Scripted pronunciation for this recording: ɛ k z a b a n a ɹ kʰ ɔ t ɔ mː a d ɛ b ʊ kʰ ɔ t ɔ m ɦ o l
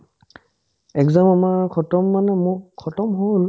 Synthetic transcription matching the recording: ɛ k z a m a m a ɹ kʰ ɔ t ɔ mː a n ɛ m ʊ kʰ ɔ t ɔ m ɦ o l